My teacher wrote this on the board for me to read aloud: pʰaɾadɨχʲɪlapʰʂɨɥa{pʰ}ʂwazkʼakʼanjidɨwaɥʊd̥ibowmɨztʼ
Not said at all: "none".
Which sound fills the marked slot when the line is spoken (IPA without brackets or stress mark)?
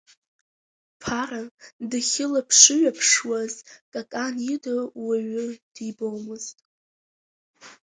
pʰ